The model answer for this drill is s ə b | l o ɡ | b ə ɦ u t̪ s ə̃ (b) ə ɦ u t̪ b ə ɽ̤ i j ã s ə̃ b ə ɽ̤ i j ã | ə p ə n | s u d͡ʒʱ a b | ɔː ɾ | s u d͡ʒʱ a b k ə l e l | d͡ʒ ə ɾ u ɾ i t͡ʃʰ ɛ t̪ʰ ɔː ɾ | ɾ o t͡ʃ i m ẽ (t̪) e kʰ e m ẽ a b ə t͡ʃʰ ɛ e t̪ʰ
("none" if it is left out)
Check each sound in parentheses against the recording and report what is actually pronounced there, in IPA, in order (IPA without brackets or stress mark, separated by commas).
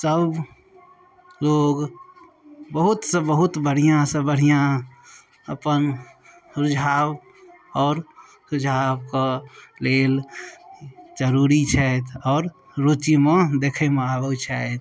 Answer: b, d̪